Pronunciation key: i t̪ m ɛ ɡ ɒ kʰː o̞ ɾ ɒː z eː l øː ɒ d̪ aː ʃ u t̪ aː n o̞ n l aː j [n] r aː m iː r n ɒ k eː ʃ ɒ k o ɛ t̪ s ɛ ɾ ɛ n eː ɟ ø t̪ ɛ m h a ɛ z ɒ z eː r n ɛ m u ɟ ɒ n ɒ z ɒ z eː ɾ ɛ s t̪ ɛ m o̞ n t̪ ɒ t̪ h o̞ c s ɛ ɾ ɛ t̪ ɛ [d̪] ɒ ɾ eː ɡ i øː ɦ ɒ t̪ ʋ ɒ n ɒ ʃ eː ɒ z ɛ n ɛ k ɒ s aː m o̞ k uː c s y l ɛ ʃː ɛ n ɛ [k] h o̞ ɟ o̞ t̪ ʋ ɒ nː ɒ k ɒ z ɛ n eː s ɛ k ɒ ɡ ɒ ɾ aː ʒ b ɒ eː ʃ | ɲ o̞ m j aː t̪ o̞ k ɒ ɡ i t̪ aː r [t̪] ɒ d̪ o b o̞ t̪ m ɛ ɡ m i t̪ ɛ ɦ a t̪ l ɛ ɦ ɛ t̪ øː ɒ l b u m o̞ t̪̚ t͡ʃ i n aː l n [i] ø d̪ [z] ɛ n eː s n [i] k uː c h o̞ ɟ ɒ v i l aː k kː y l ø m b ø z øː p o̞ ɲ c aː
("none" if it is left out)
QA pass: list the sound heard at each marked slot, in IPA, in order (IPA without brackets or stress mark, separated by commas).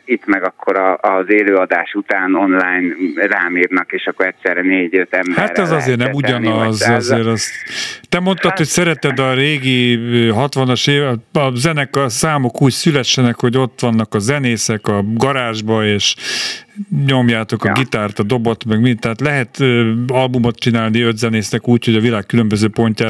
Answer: n, d̪, k, t̪, i, z, ɛ